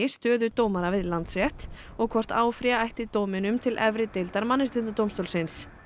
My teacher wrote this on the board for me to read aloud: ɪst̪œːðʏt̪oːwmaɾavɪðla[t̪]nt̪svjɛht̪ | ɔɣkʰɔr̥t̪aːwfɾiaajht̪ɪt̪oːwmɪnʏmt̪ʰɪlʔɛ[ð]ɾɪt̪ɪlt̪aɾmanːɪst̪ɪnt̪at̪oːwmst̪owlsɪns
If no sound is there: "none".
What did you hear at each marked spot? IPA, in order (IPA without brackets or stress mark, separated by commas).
none, v